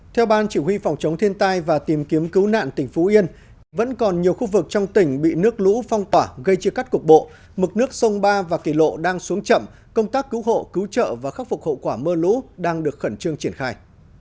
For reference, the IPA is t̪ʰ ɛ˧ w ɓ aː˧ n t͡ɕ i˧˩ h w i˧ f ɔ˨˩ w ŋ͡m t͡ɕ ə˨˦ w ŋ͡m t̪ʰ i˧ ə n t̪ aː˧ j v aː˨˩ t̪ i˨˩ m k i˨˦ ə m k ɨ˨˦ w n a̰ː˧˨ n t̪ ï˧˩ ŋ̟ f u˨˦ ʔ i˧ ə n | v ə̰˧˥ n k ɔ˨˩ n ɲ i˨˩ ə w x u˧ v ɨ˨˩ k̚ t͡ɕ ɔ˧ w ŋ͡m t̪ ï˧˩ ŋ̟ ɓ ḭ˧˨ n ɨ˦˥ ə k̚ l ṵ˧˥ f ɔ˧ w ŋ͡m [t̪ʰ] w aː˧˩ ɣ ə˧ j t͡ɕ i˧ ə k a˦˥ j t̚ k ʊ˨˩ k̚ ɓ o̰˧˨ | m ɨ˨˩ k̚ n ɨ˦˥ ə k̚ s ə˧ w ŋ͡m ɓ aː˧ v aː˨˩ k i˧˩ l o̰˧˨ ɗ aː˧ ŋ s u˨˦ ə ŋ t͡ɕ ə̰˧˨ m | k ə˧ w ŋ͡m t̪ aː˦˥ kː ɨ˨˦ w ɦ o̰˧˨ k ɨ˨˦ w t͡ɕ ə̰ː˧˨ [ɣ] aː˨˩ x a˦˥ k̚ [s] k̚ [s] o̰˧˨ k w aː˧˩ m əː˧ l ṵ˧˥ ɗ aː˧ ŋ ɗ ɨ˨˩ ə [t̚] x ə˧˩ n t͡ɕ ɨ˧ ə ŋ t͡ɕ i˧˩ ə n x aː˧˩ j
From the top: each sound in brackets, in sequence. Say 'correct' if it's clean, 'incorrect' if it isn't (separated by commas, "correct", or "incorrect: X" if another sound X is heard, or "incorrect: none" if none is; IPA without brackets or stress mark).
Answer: incorrect: t̪, incorrect: v, incorrect: f, incorrect: h, incorrect: k̚